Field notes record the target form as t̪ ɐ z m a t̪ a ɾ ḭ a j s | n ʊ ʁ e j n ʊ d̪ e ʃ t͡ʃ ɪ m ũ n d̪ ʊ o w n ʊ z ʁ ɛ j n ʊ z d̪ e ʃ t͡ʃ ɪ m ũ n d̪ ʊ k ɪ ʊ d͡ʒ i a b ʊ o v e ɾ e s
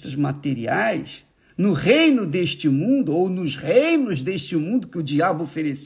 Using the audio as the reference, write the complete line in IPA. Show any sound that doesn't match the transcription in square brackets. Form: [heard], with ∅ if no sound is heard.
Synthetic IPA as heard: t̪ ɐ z m a t̪ [e] ɾ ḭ a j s | n ʊ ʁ e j n ʊ d̪ e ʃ t͡ʃ ɪ m ũ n d̪ ʊ o w n ʊ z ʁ [e] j n ʊ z d̪ e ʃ t͡ʃ ɪ m ũ n d̪ ʊ k ɪ ʊ d͡ʒ i a b ʊ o [f] e ɾ e s